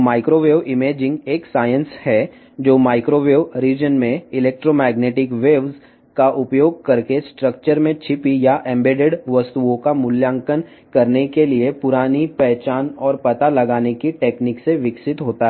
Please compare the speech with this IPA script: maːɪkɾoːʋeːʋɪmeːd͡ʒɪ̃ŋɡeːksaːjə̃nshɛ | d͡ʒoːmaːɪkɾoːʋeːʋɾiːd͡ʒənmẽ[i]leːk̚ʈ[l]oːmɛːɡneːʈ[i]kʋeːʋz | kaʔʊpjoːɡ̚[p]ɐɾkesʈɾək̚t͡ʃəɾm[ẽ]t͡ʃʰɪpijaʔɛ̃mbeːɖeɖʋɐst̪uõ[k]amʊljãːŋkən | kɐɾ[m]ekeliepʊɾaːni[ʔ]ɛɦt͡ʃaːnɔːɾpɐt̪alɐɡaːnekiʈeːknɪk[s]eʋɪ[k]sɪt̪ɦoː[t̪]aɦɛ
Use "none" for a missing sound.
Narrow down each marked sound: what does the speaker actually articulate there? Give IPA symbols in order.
ɪ, ɾ, ɪ, k, ẽ, k, n, p, s, k, t̪

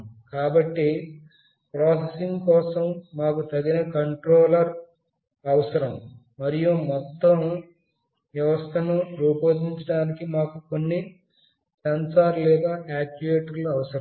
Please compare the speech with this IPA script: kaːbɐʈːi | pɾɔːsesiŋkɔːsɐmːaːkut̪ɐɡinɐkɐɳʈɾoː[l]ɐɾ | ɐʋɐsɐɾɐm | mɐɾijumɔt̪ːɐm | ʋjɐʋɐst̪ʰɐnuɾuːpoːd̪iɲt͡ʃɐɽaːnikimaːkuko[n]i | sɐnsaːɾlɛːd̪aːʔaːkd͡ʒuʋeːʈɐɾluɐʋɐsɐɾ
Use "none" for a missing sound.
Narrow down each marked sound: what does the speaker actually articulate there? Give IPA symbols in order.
l, nː

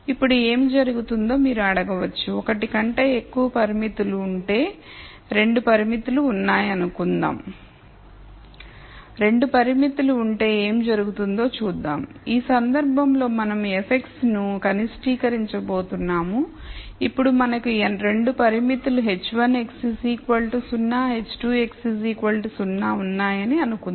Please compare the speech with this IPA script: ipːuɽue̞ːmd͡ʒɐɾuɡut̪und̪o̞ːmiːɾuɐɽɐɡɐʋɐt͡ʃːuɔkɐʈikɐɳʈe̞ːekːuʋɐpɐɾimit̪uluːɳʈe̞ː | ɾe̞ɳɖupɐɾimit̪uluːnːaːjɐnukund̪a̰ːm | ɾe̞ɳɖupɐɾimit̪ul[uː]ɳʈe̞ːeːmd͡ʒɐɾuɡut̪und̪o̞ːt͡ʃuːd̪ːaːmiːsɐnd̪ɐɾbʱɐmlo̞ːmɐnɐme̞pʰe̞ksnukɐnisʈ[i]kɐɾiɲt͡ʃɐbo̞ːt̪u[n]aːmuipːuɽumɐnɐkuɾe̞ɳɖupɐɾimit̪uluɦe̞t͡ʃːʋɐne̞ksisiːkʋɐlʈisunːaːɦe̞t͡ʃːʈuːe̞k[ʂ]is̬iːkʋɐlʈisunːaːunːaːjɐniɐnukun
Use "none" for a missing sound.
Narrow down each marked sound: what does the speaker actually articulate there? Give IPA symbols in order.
uː, iː, nː, s

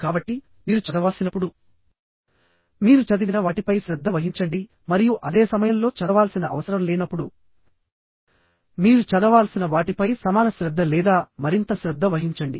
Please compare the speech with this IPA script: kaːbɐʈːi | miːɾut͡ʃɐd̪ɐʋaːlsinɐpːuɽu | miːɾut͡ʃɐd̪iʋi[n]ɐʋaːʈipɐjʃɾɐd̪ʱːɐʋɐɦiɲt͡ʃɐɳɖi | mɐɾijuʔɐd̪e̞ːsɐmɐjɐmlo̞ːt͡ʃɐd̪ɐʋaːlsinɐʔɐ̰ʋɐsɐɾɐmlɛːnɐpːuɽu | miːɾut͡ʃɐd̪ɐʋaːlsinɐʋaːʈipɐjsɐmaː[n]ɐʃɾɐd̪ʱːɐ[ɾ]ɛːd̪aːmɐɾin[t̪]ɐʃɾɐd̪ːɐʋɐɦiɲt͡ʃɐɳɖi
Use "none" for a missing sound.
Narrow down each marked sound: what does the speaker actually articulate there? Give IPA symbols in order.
n, n, l, t̪

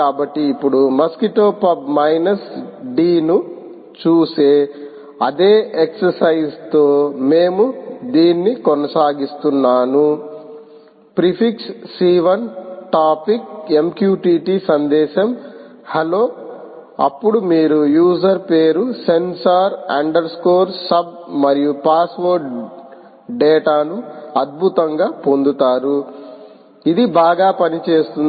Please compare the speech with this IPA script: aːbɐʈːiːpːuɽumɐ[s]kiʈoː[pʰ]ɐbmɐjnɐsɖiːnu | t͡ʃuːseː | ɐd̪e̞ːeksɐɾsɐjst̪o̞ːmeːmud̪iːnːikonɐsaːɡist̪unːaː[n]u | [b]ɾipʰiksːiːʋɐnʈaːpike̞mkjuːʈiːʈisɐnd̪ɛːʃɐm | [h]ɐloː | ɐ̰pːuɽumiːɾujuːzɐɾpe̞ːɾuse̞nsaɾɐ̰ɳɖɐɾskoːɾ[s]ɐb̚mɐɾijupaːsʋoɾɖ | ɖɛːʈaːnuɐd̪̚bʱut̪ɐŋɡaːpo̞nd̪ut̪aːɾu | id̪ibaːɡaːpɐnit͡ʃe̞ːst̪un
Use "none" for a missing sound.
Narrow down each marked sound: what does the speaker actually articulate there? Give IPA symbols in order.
s, p, n, p, h, s

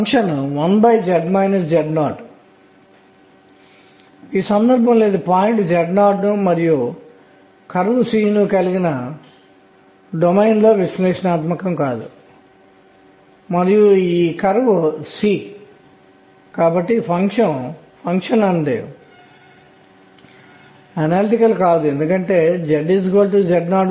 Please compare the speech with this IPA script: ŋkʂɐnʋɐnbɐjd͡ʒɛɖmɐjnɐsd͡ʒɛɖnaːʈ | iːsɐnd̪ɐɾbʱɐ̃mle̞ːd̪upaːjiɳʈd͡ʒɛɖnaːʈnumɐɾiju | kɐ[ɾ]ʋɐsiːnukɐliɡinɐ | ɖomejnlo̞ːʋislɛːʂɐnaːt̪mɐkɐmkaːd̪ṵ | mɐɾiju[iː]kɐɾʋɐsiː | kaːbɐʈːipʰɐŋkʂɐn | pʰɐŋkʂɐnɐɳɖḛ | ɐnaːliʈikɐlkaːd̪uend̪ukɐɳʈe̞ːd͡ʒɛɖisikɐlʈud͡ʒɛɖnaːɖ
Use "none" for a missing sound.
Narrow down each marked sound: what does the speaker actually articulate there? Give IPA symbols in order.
ɾ, iː

